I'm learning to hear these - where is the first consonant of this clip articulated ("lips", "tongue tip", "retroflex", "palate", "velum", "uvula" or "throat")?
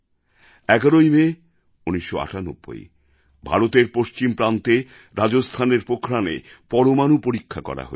velum